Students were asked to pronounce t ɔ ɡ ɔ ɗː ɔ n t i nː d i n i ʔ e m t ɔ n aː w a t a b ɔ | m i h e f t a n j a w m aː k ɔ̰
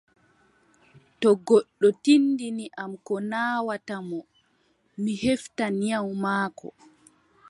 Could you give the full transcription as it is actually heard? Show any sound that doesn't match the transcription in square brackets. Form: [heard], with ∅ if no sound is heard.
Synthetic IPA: t ɔ ɡ ɔ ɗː ɔ [∅] t i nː d i n i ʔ [a] m [k] ɔ n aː w a t a [m] ɔ | m i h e f t a n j a w m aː k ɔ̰

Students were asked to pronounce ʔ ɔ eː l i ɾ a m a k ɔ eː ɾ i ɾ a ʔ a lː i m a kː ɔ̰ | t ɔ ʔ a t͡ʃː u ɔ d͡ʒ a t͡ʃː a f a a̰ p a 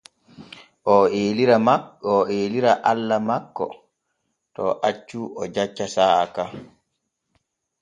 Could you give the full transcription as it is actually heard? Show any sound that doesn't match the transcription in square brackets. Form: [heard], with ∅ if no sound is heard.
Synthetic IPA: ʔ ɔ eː l i ɾ a m a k ɔ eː [l] i ɾ a ʔ a lː [a] m a kː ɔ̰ | t ɔ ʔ a t͡ʃː u ɔ d͡ʒ a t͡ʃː a [s] a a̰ [k] a

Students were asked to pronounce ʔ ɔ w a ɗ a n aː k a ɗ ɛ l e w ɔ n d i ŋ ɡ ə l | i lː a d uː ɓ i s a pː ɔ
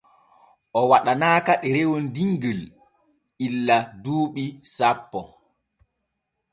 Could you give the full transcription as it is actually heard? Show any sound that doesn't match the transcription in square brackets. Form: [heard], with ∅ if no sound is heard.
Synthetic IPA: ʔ ɔ w a ɗ a n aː k a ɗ ɛ [ɾ] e w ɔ n d i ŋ ɡ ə l | i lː a d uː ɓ i s a pː ɔ

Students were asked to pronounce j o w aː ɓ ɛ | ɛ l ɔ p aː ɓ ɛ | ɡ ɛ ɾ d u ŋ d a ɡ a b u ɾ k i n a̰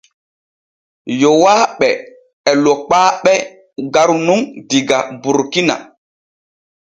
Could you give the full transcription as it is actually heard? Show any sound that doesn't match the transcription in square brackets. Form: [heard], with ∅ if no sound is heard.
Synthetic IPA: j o w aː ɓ ɛ | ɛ l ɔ [k͡p] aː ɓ ɛ | ɡ [a] ɾ [n] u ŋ d [i] ɡ a b u ɾ k i n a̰

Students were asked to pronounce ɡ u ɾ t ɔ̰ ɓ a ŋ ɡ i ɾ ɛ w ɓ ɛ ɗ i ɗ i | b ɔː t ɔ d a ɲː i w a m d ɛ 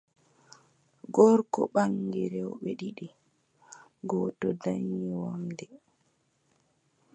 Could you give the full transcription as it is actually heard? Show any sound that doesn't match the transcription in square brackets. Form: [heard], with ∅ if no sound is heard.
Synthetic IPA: ɡ [ɔ] ɾ [k] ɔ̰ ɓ a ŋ ɡ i ɾ ɛ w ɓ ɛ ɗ i ɗ i | [ɡ] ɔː t ɔ d a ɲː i w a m d ɛ

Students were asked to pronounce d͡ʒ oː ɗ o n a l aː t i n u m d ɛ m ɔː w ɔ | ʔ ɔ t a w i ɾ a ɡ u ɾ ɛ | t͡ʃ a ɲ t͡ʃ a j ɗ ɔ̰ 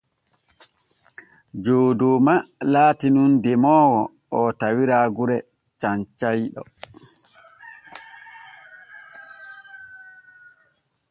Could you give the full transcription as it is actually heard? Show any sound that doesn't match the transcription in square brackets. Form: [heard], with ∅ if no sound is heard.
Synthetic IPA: d͡ʒ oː [d] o [m] a l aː t i n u [n] d ɛ m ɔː w ɔ | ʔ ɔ t a w i ɾ a ɡ u ɾ ɛ | t͡ʃ a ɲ t͡ʃ a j ɗ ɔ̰

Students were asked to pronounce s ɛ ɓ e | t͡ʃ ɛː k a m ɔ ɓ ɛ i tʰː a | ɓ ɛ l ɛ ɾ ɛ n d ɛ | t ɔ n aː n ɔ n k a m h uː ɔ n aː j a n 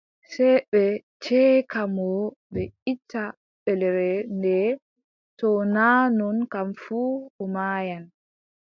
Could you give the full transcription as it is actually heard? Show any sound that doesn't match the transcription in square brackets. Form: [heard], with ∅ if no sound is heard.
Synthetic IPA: s ɛ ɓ [ɛ] | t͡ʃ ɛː k a m ɔ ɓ ɛ i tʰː a | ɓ ɛ l ɛ ɾ ɛ n d ɛ | t ɔ n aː n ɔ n k a m [f] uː ɔ [m] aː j a n

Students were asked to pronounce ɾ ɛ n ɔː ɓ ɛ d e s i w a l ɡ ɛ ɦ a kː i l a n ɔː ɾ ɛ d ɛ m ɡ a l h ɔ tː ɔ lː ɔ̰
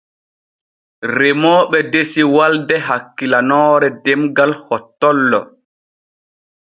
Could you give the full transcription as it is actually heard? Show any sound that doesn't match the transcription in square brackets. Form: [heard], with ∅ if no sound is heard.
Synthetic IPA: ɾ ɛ [m] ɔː ɓ ɛ d e s i w a l [d] ɛ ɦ a kː i l a n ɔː ɾ ɛ d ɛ m ɡ a l h ɔ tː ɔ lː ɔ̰

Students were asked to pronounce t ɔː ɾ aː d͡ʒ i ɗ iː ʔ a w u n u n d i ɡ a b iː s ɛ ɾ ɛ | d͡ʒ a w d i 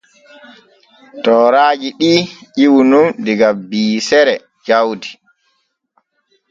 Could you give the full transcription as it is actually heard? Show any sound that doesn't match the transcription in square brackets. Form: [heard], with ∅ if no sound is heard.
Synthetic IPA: t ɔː ɾ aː d͡ʒ i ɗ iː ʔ [i] w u n u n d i ɡ a b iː s ɛ ɾ ɛ | d͡ʒ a w d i

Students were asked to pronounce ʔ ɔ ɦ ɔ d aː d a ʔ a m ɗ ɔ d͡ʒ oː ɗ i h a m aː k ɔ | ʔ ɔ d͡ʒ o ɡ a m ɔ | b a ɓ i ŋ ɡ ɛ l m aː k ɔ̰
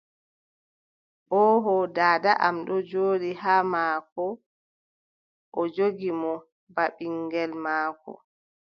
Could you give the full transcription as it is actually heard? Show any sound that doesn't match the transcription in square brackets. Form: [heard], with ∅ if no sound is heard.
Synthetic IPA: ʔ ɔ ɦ ɔ d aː d a ʔ a m ɗ ɔ d͡ʒ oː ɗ i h a m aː k ɔ | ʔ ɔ d͡ʒ o ɡ [i] m ɔ | b a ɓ i ŋ ɡ ɛ l m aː k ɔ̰

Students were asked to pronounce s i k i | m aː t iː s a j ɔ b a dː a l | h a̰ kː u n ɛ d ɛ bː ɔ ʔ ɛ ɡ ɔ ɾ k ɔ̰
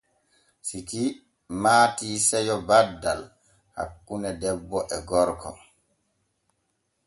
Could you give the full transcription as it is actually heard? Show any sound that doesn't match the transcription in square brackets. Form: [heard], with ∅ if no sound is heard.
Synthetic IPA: s i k i | m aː t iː s [ɛ] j ɔ b a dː a l | h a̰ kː u n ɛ d ɛ bː ɔ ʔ ɛ ɡ ɔ ɾ k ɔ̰

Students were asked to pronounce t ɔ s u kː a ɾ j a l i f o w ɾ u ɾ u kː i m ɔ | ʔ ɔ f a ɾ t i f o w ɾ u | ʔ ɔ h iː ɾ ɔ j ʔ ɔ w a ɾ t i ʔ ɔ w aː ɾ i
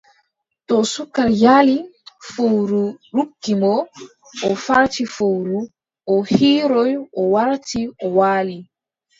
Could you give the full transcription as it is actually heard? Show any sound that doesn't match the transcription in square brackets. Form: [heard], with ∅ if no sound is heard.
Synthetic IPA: t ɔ s u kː a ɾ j a l i f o w ɾ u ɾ u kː i m ɔ | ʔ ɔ f a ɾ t i f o w ɾ u | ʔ ɔ h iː ɾ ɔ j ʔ ɔ w a ɾ t i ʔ ɔ w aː [l] i

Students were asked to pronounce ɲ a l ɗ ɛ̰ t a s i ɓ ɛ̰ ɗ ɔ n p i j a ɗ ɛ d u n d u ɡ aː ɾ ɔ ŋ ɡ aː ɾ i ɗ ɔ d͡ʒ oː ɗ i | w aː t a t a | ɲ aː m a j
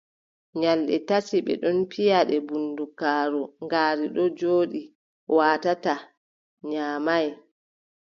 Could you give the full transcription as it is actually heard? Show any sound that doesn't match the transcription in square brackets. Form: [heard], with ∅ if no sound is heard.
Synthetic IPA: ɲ a l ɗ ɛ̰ t a s i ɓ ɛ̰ ɗ ɔ n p i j a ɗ ɛ [b] u n d u [k] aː ɾ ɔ ŋ ɡ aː ɾ i ɗ ɔ d͡ʒ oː ɗ i | w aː t a t a | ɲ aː m a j

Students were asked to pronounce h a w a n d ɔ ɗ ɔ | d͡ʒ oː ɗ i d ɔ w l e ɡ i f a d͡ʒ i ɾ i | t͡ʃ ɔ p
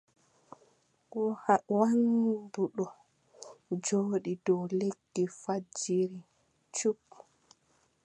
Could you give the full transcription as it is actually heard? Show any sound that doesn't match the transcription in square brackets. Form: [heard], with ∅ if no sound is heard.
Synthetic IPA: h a w a n d [u] ɗ ɔ | d͡ʒ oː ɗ i d ɔ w l e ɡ i f a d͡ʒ i ɾ i | t͡ʃ [u] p

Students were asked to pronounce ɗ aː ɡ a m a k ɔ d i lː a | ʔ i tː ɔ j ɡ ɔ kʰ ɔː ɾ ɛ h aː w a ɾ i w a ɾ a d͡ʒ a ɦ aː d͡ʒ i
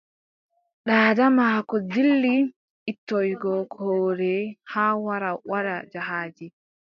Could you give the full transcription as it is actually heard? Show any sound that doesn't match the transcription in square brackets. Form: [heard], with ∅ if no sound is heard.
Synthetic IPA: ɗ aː [d] a m a k ɔ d i lː [i] | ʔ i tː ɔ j ɡ ɔ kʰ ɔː ɾ ɛ h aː w a ɾ [a] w a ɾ a d͡ʒ a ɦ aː d͡ʒ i

